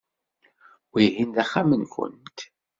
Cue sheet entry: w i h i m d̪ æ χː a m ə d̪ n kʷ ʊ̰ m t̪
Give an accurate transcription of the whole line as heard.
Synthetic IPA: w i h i n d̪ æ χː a m ə n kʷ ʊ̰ n t̪